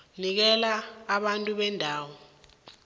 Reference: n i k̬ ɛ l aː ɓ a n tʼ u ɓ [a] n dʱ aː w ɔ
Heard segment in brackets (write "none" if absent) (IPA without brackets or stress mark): ɛ